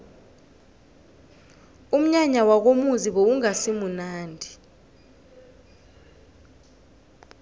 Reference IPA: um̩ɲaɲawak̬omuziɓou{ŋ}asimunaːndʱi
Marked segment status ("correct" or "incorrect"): correct